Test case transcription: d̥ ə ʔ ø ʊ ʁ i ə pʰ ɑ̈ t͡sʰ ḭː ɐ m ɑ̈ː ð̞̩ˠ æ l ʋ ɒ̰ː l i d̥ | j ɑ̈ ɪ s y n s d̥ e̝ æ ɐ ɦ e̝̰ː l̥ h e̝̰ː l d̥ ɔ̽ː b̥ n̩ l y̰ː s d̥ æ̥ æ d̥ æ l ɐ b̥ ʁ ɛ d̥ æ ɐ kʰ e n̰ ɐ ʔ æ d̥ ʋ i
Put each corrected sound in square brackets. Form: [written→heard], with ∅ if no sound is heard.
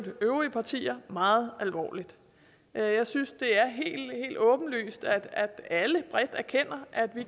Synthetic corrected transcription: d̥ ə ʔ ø ʊ ʁ i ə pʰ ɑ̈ t͡sʰ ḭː ɐ m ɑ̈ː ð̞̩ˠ æ l ʋ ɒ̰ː l i d̥ | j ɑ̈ ɪ s y n s d̥ e̝ æ ɐ ɦ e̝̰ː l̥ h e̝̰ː l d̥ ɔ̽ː b̥ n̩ l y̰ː s d̥ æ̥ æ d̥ æ l [ɐ→ə] b̥ ʁ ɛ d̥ æ ɐ kʰ e n̰ ɐ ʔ æ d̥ ʋ i